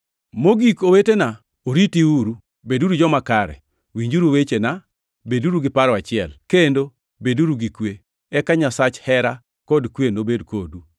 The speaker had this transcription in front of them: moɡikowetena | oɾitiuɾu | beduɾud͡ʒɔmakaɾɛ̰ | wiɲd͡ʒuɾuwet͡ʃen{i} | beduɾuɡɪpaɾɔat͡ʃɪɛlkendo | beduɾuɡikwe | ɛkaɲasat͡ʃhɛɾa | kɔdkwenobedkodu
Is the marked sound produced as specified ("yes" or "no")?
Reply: no